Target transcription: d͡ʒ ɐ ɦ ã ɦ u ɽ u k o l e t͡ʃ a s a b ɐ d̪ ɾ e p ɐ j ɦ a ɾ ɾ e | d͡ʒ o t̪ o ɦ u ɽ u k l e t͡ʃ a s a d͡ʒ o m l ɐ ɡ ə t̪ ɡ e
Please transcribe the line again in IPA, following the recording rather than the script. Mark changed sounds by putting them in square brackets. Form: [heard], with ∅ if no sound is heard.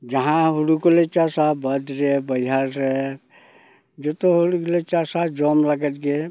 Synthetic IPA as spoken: d͡ʒ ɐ ɦ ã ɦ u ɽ u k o l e t͡ʃ a s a b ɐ d̪ ɾ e [b] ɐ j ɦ a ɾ ɾ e | d͡ʒ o t̪ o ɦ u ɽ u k l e t͡ʃ a s a d͡ʒ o m l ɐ ɡ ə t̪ ɡ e

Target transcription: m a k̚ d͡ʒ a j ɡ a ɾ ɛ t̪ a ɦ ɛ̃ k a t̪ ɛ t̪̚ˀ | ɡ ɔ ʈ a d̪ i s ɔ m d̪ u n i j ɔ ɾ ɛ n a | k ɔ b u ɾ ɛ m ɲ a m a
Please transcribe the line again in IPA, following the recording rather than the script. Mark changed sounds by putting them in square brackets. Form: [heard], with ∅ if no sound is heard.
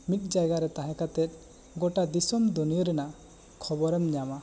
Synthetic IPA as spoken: m [i] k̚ d͡ʒ a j ɡ a ɾ ɛ t̪ a ɦ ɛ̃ k a t̪ ɛ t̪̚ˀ | ɡ ɔ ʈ a d̪ i s ɔ m d̪ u n i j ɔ ɾ ɛ n a | [kʰ] ɔ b [ɔ] ɾ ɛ m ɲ a m a

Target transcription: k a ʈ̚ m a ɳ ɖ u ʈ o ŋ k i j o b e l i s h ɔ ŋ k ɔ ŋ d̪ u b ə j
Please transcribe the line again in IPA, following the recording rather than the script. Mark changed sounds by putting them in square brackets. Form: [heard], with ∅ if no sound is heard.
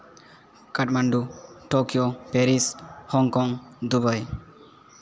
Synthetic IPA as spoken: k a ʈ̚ m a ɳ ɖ u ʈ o [∅] k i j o [p] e [ɾ] i s h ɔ ŋ k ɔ ŋ d̪ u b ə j

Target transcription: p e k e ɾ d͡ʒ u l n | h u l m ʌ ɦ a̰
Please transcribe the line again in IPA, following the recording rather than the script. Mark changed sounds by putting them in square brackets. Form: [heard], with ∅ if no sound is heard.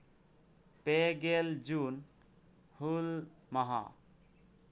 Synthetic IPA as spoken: p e [ɡ] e [l] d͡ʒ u [∅] n | h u l m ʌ ɦ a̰

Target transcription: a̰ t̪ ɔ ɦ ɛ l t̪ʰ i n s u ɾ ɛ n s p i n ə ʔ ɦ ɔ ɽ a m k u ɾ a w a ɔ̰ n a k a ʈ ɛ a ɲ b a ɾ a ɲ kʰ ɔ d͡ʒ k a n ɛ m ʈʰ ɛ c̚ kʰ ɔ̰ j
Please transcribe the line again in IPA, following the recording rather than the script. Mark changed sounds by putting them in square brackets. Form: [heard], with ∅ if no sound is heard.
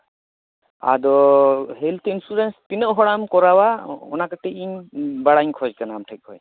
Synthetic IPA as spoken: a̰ [d̪] ɔ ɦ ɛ l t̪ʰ i n s u ɾ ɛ n s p i n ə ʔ ɦ ɔ ɽ a m k [ɔ] ɾ a w a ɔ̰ n a k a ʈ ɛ [i] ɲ b a [ɽ] a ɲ kʰ ɔ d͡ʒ k a n [a] m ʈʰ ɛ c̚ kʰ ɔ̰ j

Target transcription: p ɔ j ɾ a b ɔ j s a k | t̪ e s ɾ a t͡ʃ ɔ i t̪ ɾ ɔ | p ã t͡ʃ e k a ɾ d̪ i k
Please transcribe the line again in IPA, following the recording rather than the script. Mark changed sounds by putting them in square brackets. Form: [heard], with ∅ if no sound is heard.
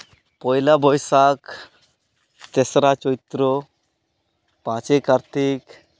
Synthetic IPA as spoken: p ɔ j [l] a b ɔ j s a k | t̪ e s ɾ a t͡ʃ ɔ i t̪ ɾ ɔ | p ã t͡ʃ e k a ɾ [t̪] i k

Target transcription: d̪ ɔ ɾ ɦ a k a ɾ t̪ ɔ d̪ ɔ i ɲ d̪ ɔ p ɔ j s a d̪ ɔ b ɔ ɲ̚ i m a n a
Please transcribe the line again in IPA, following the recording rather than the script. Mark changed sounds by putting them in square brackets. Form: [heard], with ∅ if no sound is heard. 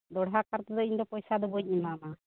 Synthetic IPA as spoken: d̪ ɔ [ɽ] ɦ a k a ɾ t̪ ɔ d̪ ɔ i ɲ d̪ ɔ p ɔ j s a d̪ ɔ b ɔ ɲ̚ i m a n a

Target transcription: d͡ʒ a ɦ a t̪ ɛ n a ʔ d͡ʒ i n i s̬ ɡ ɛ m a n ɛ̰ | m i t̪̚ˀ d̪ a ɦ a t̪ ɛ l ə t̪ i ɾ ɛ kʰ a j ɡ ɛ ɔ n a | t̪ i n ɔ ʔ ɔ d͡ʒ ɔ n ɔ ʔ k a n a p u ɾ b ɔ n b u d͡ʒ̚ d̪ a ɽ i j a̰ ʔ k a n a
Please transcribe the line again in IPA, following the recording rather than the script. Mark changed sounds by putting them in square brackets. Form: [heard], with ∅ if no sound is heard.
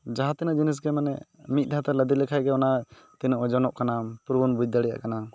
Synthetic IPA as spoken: d͡ʒ a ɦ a t̪ ɛ n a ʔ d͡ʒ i n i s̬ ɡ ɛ m a n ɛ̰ | m i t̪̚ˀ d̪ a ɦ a t̪ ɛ l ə [d̪] i [l] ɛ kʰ a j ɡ ɛ ɔ n a | t̪ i n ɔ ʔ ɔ d͡ʒ ɔ n ɔ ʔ k a n a p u ɾ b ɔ n b u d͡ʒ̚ d̪ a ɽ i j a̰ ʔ k a n a

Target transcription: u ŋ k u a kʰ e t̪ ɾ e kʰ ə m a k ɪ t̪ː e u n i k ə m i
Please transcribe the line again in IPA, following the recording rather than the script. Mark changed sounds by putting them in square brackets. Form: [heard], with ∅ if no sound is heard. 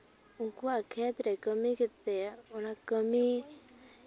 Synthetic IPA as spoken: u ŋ k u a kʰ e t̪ ɾ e [k] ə m [i] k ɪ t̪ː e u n [a] k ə m i

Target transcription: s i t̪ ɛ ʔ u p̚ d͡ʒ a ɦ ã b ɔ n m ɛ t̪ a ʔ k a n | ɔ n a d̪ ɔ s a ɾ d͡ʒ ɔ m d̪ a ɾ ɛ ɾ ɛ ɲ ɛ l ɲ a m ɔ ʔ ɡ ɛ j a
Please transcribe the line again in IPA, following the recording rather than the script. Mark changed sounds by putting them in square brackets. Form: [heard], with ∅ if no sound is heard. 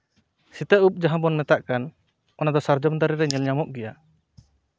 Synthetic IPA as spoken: s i t̪ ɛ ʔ u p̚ d͡ʒ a ɦ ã b ɔ n m ɛ t̪ a ʔ k a n | ɔ n a d̪ ɔ s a ɾ d͡ʒ ɔ m d̪ a ɾ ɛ ɾ ɛ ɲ ɛ l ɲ a m ɔ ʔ ɡ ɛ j a

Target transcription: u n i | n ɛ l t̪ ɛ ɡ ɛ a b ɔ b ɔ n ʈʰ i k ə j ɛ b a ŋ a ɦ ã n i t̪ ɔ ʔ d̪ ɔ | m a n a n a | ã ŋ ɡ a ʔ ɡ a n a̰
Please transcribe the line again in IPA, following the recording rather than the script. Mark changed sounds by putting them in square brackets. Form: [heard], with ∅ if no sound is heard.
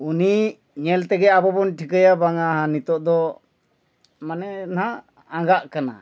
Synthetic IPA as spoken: u n i | [ɲ] ɛ l t̪ ɛ ɡ ɛ a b ɔ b ɔ n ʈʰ i k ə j [a] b a ŋ a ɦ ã n i t̪ ɔ ʔ d̪ ɔ | m a n [ɛ] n a | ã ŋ ɡ a ʔ [k] a n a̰

